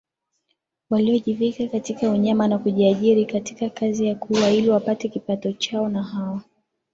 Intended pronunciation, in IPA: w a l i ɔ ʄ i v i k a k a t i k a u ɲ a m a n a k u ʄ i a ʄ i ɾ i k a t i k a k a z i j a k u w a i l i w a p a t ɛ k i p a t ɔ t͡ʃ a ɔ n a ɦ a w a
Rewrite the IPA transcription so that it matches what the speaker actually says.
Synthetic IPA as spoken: w a l i ɔ ʄ i v i k a k a t i k a u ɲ a m a n a k u ʄ i a ʄ i ɾ i k a t i k a k a z i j a k u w a i l i w a p a t ɛ k i p a t ɔ t͡ʃ a ɔ n a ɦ a w a